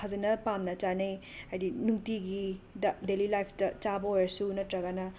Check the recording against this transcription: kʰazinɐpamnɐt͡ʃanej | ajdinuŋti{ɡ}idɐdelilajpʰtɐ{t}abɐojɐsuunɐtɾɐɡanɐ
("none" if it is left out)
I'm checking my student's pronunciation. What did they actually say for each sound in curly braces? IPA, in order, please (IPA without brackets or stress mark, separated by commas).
ɡ, t͡ʃ